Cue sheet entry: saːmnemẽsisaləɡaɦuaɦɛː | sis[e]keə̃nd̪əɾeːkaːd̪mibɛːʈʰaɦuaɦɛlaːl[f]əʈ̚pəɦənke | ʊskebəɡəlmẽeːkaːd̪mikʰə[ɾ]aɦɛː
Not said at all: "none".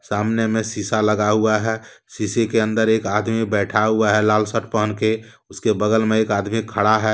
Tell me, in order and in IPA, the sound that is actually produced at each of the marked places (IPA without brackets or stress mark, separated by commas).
e, s, ɽ